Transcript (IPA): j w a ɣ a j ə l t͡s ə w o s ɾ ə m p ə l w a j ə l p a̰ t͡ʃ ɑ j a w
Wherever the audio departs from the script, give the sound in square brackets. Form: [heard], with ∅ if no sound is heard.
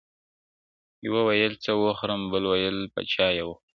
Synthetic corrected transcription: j w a [w] a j ə l t͡s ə w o [x] ɾ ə m [b] ə l w a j ə l p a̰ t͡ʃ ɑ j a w